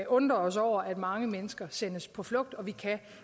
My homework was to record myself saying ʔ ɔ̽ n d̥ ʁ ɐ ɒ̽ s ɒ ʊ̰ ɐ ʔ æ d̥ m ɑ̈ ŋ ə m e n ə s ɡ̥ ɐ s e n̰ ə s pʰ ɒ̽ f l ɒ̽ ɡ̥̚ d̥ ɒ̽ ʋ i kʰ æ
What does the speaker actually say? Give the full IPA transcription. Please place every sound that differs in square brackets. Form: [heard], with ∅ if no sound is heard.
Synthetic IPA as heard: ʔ ɔ̽ n d̥ ʁ ɐ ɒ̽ s ɒ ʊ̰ ɐ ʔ æ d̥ m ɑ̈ ŋ ə m e n ə s ɡ̥ ɐ s e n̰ ə s pʰ ɒ̽ f l [ɔ̽] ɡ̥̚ d̥ ɒ̽ ʋ i kʰ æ